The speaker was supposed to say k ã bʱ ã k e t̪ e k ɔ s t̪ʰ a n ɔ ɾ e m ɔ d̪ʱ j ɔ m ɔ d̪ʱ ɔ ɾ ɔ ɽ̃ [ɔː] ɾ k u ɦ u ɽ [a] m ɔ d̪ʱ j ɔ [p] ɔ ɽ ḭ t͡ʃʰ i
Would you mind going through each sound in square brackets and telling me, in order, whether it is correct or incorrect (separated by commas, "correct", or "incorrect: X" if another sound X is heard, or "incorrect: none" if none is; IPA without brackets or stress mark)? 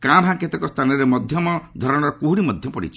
incorrect: ɔ, incorrect: i, correct